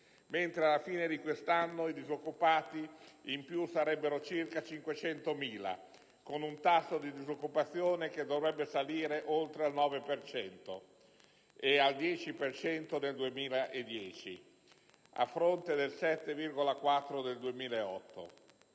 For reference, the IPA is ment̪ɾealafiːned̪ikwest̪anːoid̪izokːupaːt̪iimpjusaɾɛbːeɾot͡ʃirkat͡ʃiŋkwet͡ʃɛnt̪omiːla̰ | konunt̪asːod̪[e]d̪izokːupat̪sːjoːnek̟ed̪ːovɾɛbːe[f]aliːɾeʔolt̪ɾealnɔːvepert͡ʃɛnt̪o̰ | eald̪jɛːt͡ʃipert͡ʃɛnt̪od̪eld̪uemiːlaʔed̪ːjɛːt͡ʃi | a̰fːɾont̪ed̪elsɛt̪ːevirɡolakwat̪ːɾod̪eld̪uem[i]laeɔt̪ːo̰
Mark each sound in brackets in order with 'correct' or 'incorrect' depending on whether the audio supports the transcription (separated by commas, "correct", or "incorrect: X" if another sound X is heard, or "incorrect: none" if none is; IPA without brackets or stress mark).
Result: incorrect: i, incorrect: s, incorrect: iː